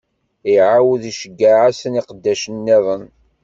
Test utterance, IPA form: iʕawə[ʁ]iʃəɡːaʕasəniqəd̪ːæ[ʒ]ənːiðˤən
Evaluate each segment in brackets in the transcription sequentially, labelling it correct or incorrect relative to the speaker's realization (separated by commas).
incorrect, incorrect